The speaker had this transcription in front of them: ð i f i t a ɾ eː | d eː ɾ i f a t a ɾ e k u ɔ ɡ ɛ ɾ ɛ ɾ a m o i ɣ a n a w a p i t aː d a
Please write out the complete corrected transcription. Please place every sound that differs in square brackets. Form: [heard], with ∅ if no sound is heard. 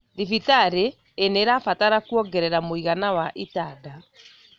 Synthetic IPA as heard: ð i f i t a ɾ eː | [n] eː ɾ [a] f a t a ɾ [a] k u ɔ ɡ ɛ ɾ ɛ ɾ a m o i ɣ a n a w a [ʔ] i t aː d a